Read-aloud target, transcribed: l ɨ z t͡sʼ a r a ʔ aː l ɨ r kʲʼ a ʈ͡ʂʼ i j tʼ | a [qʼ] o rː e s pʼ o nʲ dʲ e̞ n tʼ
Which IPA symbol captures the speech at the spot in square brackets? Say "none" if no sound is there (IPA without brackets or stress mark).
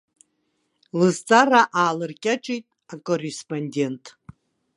kʼ